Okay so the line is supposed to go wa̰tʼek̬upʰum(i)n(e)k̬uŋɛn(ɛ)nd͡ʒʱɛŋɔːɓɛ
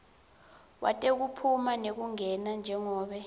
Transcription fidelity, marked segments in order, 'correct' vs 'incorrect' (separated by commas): incorrect, correct, incorrect